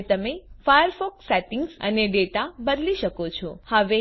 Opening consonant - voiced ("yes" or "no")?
no